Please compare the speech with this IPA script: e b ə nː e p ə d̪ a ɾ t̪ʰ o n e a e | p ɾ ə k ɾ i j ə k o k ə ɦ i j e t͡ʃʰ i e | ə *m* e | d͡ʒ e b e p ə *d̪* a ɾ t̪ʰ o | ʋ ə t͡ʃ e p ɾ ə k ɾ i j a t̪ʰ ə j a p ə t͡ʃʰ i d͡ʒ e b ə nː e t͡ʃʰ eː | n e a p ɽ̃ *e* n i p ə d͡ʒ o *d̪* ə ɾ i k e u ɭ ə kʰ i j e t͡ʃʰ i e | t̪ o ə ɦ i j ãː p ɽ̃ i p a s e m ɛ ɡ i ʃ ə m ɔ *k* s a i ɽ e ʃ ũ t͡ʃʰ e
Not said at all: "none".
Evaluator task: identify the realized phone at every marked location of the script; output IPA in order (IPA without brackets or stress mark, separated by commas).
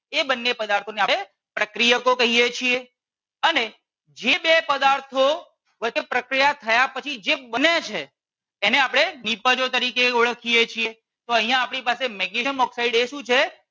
n, d̪, e, t̪, k